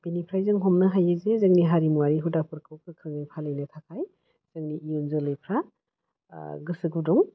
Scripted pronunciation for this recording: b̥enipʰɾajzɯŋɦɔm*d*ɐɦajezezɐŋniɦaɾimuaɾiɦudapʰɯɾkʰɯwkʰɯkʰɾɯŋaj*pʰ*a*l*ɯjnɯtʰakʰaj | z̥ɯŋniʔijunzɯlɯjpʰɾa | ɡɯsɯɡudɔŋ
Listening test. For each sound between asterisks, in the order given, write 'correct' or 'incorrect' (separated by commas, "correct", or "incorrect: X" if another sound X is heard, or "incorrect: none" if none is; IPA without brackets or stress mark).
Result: incorrect: n, correct, correct